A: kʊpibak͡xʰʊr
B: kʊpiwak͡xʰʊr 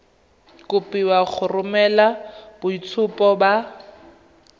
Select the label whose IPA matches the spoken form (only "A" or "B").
B